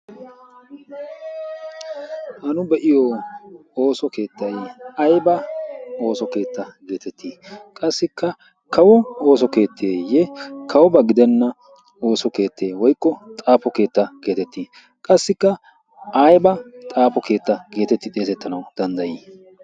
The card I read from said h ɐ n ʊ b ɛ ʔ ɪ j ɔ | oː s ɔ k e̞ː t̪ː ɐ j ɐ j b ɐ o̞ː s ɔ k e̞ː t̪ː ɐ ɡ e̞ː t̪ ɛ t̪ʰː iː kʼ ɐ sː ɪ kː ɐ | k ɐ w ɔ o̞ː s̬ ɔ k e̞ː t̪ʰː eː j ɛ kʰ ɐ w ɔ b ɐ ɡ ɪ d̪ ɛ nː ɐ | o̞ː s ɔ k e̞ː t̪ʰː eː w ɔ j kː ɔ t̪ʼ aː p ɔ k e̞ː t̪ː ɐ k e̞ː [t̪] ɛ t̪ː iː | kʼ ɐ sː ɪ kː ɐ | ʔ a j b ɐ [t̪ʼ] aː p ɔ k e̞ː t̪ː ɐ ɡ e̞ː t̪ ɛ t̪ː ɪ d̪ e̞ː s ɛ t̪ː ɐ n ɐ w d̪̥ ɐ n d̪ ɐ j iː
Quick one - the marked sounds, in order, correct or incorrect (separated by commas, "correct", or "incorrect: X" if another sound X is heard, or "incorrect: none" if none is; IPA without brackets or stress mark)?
correct, correct